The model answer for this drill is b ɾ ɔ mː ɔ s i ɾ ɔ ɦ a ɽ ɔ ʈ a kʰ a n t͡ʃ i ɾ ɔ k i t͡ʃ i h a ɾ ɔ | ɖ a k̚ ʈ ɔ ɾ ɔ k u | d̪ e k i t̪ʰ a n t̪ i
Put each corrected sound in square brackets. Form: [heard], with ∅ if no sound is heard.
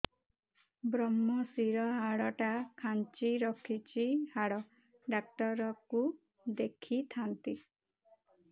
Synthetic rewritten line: b ɾ ɔ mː ɔ s i ɾ ɔ ɦ a ɽ ɔ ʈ a kʰ a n t͡ʃ i ɾ ɔ [kʰ] i t͡ʃ i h a [ɽ] ɔ | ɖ a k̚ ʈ ɔ ɾ ɔ k u | d̪ e [kʰ] i t̪ʰ a n t̪ i